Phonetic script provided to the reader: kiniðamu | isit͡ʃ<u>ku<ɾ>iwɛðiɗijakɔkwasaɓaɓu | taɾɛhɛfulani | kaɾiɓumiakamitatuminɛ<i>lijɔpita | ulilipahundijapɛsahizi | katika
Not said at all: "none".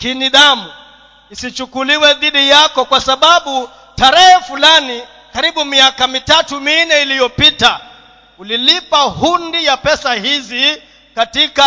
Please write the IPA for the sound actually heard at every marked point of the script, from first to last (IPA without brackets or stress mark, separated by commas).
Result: u, l, i